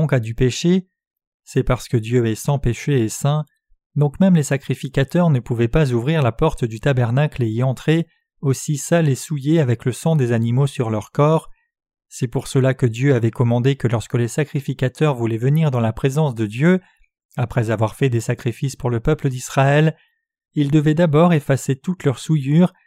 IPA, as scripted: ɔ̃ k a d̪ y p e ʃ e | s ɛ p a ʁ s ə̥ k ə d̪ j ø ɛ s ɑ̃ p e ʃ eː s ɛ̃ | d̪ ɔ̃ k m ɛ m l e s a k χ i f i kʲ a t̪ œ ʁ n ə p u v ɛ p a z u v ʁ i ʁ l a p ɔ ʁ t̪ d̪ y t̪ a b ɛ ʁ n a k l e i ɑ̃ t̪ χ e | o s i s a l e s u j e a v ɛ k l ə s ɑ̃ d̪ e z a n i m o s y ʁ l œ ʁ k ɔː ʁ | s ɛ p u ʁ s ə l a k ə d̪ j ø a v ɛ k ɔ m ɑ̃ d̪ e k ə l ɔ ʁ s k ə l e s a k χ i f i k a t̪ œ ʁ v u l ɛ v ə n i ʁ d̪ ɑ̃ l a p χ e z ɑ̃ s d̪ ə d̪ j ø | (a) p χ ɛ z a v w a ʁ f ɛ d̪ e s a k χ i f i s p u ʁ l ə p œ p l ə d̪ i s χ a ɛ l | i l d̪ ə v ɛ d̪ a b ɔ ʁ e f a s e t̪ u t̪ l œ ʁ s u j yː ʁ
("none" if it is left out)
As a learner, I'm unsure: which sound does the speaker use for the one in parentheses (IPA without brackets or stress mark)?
a